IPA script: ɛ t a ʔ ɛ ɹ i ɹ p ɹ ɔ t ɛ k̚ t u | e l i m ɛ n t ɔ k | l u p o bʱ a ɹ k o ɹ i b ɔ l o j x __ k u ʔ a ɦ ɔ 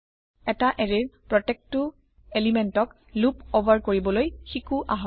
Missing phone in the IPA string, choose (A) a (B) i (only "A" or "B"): B